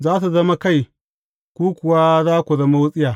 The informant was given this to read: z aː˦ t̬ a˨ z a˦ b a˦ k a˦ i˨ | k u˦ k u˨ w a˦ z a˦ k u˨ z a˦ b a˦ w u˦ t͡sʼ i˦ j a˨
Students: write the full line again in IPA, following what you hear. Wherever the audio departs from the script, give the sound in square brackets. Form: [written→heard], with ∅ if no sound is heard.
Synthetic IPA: z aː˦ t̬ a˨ z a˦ [b→m] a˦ k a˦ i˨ | k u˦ k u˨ w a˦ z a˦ k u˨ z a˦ [b→m] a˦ w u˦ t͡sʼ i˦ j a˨